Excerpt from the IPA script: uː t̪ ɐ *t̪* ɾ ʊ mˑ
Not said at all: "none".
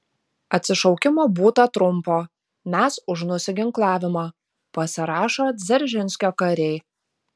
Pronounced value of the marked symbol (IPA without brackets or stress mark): t̪